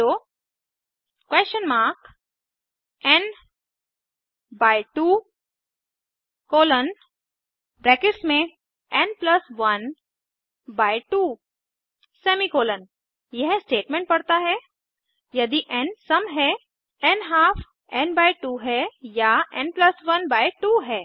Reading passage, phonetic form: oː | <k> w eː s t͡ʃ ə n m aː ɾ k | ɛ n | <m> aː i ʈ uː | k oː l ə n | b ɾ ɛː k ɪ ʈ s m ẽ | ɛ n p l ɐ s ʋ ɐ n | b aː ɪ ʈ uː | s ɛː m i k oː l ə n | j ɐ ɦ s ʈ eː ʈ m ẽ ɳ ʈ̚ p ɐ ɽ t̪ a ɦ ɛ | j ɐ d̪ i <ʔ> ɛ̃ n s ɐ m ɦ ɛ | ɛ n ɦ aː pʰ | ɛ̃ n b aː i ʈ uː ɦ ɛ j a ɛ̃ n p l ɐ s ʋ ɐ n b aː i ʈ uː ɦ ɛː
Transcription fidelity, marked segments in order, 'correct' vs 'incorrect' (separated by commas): correct, incorrect, correct